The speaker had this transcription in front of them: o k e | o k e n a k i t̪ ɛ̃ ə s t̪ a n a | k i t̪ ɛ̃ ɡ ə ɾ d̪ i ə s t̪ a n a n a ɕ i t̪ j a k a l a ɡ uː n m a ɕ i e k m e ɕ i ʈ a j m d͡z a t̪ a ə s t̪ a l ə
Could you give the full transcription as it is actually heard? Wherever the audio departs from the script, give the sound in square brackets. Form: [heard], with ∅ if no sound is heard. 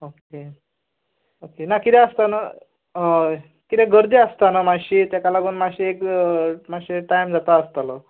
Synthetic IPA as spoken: o k e | o k e n a k i t̪ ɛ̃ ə s t̪ a n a | k i t̪ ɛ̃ ɡ ə ɾ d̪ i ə s t̪ a n a [m] a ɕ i t̪ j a k a l a ɡ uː n m a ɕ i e k m [a] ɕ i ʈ a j m d͡z a t̪ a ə s t̪ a l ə